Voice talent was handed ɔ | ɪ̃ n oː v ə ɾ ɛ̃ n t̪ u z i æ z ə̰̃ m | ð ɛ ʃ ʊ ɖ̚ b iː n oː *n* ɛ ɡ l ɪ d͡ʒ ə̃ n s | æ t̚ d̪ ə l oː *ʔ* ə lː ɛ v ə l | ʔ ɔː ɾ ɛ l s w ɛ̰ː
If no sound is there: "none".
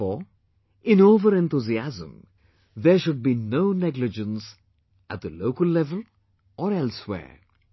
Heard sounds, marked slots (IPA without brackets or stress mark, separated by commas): n, k